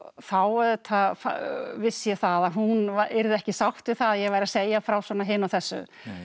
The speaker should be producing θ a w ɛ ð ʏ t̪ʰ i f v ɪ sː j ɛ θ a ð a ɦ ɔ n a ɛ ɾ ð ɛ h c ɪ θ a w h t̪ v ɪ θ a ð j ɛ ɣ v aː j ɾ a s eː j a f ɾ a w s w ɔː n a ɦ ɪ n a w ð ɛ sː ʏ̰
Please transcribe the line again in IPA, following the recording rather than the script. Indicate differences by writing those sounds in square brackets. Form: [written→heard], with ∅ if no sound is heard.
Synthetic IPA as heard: θ a w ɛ ð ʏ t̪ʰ [i→a] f v ɪ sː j ɛ θ a ð a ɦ [ɔ→u] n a ɛ ɾ ð ɛ h c ɪ [θ→s] a w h t̪ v ɪ θ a ð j ɛ ɣ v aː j ɾ a s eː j a f ɾ a w s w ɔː n a ɦ ɪ n a w [ð→θ] ɛ sː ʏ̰